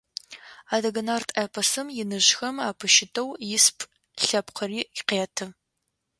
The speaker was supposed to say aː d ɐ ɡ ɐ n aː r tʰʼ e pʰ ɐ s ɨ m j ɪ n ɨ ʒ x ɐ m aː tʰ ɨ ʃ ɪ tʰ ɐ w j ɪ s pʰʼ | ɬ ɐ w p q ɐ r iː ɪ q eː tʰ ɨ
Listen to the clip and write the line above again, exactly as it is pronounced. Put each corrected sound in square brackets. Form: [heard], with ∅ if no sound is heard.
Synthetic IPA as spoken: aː d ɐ ɡ ɐ n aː r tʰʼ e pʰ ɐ s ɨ m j ɪ n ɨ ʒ x ɐ m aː [pʰ] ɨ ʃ ɪ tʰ ɐ w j ɪ s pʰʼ | ɬ ɐ [∅] p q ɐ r iː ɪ q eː tʰ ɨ